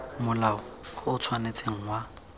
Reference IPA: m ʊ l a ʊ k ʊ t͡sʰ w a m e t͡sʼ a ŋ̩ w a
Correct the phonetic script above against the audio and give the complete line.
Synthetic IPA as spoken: m ʊ l a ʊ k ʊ t͡sʰ w a n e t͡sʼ e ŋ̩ w a